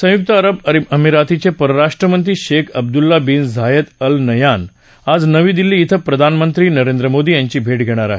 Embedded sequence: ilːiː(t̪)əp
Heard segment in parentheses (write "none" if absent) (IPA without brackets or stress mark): t̪ʰ